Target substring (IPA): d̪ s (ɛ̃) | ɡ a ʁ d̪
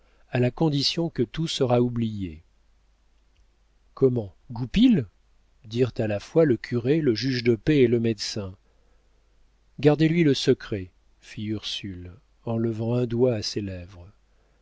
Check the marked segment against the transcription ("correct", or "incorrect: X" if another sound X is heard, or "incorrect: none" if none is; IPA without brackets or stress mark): correct